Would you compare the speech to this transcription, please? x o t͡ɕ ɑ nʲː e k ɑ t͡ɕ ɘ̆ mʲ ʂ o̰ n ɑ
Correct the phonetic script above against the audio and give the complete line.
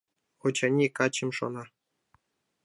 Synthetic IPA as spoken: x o t͡ɕ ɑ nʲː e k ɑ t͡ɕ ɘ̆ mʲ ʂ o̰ n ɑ